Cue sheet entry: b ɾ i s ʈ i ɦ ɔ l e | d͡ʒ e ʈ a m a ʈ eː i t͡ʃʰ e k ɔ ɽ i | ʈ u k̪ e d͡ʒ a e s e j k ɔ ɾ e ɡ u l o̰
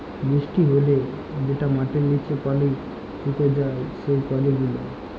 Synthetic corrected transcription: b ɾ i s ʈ i ɦ o l e | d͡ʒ e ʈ a m a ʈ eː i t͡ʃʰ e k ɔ l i | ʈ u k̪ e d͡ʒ a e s e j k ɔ l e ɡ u l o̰